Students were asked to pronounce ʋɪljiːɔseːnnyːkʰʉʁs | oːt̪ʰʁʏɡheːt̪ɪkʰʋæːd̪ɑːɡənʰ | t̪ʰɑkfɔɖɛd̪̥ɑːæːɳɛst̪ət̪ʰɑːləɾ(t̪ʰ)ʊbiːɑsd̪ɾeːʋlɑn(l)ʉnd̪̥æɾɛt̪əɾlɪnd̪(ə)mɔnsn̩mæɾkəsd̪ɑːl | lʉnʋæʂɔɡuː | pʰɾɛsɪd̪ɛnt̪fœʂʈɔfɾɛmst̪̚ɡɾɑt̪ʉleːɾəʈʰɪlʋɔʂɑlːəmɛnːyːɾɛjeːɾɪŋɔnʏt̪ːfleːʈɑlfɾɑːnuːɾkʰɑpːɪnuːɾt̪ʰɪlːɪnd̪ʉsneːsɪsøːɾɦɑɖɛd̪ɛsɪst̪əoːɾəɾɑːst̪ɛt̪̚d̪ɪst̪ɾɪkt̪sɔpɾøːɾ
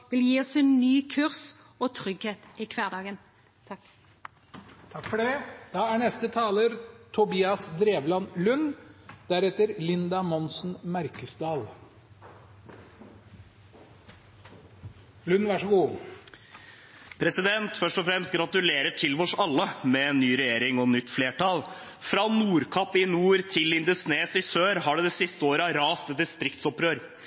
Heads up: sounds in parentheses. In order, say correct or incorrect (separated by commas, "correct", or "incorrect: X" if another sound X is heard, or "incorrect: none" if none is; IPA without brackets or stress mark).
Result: correct, correct, incorrect: ɑ